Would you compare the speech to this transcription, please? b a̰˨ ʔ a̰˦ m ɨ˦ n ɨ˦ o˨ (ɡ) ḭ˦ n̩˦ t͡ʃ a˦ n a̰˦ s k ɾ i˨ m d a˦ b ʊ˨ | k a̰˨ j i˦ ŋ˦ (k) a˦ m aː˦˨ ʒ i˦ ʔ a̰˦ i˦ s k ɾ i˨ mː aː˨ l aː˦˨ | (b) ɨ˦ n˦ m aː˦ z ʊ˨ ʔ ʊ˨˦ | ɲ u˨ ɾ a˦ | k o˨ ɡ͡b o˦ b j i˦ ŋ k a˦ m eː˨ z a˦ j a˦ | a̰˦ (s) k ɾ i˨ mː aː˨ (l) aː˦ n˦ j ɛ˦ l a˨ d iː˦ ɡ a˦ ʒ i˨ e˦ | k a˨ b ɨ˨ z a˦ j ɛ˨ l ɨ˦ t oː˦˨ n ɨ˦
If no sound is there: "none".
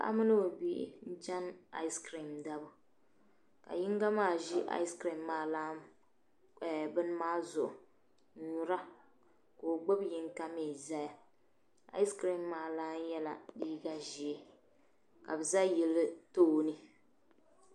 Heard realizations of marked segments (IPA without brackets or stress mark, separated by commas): b, ɡ, b, s, l